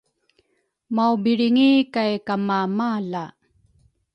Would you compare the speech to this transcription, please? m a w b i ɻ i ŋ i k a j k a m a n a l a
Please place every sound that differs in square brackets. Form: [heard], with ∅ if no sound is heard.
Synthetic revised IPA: m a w b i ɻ i ŋ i k a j k a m a [m] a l a